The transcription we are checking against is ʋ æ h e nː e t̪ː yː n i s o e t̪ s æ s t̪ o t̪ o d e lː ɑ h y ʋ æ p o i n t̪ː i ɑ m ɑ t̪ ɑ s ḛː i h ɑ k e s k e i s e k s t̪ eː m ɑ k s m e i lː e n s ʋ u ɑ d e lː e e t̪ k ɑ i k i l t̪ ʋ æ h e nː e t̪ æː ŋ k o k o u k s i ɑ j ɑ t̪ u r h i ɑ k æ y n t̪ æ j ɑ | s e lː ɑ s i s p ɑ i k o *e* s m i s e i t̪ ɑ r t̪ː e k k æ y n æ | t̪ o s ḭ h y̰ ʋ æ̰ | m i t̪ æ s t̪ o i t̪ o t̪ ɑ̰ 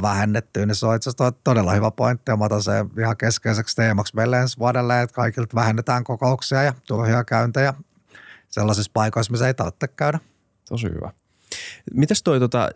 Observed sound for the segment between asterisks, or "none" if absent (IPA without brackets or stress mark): i